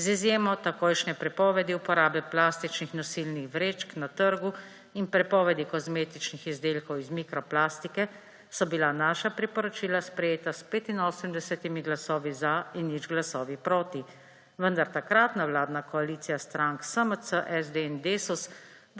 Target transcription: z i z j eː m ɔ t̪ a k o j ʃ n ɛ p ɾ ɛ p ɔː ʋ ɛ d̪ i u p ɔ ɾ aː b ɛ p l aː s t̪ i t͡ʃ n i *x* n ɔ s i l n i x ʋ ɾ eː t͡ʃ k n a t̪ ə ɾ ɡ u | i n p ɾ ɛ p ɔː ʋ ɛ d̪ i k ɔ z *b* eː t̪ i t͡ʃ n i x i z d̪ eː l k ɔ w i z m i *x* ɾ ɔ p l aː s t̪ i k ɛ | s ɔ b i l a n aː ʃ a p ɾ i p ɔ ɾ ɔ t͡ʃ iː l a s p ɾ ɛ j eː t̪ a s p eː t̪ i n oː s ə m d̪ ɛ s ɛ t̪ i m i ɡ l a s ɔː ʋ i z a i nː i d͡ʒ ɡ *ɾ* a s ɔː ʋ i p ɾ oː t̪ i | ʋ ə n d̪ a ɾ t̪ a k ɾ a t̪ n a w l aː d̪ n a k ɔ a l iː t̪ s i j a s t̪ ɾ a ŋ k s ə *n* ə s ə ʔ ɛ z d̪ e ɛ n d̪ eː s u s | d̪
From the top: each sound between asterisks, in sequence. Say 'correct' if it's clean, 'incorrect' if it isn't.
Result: correct, incorrect: m, incorrect: k, incorrect: l, incorrect: m

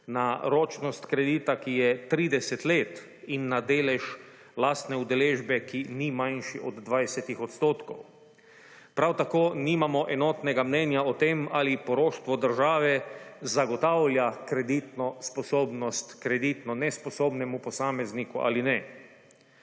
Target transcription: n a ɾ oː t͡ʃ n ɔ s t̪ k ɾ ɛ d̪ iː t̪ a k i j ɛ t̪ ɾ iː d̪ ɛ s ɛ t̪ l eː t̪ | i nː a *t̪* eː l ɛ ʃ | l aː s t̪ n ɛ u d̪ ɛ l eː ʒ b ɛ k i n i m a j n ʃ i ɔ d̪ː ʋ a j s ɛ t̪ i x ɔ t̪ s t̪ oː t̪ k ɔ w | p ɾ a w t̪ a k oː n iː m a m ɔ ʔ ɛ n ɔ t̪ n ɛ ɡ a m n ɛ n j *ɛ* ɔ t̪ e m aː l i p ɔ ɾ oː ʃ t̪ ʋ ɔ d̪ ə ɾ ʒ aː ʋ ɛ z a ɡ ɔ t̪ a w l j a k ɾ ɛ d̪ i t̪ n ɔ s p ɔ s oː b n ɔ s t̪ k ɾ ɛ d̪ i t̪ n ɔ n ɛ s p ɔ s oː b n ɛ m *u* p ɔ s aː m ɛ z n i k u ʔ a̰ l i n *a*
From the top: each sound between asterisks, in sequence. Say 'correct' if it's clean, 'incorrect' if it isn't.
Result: incorrect: d̪, incorrect: a, correct, incorrect: ɛ

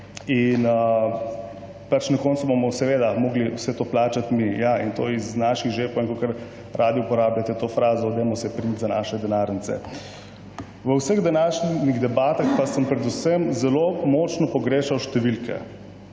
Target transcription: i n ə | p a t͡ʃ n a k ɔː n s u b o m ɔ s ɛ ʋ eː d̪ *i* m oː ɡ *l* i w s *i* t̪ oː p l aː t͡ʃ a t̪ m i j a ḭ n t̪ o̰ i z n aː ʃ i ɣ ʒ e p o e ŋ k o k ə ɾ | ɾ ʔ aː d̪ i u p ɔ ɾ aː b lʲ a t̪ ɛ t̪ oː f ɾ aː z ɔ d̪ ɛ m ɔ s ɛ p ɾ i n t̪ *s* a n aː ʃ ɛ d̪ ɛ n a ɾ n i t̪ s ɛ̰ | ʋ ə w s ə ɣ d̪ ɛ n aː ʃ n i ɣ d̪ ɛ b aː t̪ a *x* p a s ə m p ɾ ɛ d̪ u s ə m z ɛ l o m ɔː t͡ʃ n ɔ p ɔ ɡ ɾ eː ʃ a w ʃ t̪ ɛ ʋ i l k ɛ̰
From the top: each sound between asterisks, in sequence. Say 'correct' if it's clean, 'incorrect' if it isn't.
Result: incorrect: a, correct, incorrect: ɛ, incorrect: z, correct

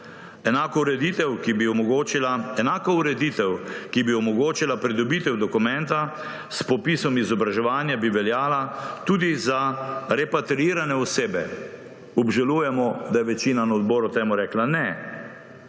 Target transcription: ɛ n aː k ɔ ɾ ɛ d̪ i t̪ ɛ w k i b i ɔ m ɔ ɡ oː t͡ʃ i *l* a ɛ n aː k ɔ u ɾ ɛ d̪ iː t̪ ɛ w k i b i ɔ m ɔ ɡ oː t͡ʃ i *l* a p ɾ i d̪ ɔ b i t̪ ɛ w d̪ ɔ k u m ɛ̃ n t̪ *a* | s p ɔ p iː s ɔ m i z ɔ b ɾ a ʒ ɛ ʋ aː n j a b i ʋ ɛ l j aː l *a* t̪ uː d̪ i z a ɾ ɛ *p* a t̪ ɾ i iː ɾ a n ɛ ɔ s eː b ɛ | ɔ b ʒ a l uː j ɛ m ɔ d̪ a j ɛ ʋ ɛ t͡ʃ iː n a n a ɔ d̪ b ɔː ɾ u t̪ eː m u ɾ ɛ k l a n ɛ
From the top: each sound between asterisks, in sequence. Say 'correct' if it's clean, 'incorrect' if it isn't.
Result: correct, correct, correct, correct, correct

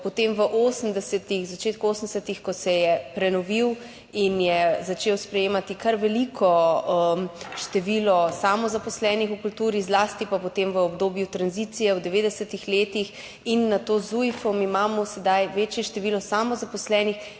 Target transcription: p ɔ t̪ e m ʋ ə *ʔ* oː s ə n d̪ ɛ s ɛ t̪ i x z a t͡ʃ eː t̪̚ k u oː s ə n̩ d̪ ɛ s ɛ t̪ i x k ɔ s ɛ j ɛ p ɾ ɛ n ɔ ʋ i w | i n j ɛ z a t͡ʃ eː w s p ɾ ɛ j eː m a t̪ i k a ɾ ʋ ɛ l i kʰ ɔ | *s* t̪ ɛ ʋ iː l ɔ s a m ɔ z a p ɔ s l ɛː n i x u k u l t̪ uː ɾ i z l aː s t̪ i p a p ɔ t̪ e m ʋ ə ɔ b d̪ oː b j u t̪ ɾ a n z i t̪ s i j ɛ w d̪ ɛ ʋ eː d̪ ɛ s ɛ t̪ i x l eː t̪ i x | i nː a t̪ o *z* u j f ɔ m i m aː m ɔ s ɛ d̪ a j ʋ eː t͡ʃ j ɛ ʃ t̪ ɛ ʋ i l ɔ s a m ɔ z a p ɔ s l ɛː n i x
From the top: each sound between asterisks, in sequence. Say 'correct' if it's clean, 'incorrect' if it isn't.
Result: correct, incorrect: ʃ, correct

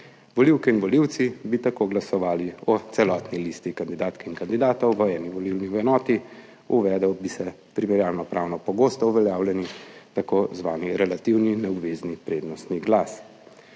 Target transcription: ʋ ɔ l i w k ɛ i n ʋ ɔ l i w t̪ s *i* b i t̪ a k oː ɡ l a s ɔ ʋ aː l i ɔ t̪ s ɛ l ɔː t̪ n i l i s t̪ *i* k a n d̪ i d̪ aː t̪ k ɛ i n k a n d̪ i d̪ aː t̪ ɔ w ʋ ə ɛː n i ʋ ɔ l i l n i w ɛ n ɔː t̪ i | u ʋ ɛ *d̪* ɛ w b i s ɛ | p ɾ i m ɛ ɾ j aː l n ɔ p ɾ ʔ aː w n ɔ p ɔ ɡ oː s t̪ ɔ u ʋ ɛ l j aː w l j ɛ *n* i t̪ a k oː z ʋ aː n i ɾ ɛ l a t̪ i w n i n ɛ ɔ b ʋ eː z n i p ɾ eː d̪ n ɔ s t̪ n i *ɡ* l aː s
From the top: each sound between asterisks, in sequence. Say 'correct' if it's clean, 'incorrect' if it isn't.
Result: correct, correct, correct, correct, correct

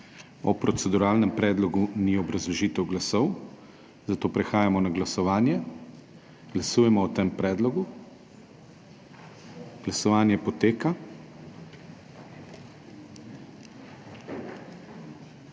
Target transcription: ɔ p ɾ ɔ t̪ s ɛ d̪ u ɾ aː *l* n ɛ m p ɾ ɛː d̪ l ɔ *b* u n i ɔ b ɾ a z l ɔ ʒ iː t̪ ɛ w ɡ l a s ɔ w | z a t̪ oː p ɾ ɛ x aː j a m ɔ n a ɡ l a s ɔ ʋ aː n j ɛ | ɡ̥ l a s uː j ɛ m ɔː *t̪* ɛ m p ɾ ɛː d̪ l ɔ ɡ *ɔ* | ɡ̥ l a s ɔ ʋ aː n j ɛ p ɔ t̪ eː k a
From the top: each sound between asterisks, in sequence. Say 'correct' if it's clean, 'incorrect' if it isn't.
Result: correct, incorrect: ɡ, correct, incorrect: u

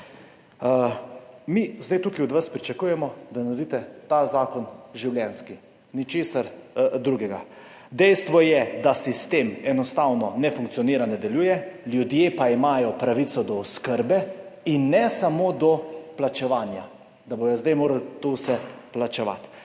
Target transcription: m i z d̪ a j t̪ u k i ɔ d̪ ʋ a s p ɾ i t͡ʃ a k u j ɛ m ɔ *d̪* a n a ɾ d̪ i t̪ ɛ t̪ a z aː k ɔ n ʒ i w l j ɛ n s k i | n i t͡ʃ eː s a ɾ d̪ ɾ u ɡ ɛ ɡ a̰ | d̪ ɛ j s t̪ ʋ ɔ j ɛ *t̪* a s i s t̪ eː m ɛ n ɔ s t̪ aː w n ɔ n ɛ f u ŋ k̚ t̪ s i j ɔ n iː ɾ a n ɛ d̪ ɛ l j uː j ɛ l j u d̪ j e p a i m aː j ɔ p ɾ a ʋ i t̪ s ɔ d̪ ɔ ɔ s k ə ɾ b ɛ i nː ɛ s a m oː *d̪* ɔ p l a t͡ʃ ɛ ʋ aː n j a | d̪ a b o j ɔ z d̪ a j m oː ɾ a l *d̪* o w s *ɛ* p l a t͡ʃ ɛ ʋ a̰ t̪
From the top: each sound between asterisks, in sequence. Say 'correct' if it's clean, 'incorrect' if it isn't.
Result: correct, incorrect: d̪, correct, incorrect: t̪, correct

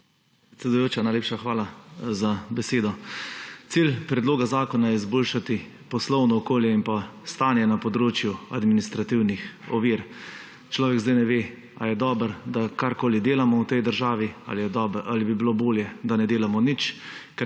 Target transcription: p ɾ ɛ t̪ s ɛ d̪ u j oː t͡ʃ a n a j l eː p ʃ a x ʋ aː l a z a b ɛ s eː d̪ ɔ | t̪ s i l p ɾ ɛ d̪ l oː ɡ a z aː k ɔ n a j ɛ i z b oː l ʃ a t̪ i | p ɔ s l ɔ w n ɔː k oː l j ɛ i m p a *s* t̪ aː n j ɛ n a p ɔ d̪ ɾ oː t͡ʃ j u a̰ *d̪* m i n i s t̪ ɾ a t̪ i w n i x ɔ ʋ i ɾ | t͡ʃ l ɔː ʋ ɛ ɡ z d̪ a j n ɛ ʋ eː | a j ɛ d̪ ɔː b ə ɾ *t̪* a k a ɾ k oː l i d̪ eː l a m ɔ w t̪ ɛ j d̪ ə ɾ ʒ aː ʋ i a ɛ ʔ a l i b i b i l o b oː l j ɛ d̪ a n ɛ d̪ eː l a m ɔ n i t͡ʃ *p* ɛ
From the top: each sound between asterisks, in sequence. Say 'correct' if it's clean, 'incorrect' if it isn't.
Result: correct, correct, incorrect: d̪, incorrect: k

